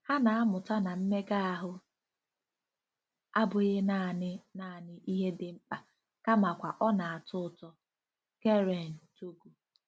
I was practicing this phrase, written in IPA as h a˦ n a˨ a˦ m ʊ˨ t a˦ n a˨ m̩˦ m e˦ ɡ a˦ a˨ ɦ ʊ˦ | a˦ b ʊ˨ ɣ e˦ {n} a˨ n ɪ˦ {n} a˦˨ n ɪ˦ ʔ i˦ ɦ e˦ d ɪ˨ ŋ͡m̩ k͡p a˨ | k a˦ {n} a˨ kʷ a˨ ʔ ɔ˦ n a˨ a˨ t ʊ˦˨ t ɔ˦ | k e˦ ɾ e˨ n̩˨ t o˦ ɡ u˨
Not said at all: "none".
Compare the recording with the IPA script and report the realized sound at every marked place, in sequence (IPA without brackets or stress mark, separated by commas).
n, n, m